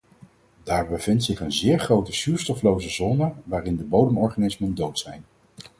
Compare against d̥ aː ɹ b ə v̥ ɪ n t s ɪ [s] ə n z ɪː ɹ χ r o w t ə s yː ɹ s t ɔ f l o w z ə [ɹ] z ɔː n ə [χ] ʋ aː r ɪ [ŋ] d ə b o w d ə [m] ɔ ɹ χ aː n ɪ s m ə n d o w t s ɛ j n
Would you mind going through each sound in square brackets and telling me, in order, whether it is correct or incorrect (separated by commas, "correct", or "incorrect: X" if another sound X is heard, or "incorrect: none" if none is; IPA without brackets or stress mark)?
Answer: incorrect: χ, incorrect: none, incorrect: none, incorrect: n, correct